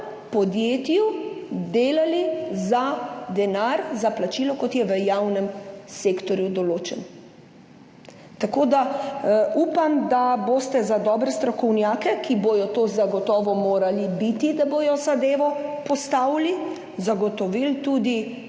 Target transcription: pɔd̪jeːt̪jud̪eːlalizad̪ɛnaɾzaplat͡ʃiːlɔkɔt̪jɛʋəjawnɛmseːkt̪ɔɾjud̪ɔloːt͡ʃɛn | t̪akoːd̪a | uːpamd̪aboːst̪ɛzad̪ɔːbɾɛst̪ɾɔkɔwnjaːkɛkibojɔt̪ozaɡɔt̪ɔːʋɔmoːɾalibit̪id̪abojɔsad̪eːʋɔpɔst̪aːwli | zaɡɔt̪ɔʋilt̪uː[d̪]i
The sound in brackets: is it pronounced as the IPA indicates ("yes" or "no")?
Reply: yes